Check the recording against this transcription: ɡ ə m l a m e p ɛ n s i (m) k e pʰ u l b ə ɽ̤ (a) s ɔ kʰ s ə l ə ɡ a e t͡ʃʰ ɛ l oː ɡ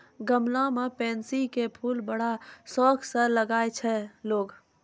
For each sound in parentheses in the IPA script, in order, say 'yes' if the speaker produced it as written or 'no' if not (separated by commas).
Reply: no, yes